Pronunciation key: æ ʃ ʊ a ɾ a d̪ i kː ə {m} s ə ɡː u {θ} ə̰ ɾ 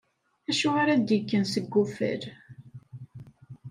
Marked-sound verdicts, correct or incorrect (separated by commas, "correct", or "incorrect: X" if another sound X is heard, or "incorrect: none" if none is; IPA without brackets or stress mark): incorrect: n, incorrect: f